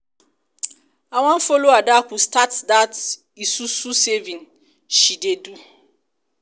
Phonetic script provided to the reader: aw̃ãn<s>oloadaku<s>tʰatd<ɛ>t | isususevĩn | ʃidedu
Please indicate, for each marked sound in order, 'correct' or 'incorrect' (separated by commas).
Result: incorrect, correct, incorrect